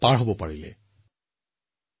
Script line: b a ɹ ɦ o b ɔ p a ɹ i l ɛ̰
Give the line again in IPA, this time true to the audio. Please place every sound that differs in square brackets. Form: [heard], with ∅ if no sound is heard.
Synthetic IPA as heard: [p] a ɹ ɦ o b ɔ p a ɹ i l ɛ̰